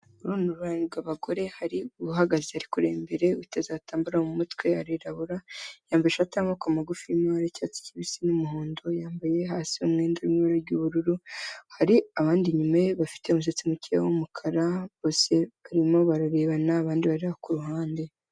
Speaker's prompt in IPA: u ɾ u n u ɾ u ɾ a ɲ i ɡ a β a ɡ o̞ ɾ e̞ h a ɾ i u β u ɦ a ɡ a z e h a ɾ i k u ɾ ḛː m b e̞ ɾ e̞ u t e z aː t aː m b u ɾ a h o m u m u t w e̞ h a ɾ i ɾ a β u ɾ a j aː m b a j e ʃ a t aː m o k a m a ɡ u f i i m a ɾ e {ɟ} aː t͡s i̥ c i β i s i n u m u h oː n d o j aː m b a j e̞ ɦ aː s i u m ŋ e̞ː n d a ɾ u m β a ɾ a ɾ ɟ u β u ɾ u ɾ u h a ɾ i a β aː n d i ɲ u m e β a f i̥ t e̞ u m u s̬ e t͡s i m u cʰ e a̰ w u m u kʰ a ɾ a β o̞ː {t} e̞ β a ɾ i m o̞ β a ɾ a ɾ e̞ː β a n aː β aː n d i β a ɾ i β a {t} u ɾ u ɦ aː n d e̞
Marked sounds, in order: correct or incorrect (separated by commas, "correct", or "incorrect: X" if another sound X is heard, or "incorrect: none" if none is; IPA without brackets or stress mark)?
incorrect: c, incorrect: s, incorrect: k